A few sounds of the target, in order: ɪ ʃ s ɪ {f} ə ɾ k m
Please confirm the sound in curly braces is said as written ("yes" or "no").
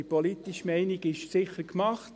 no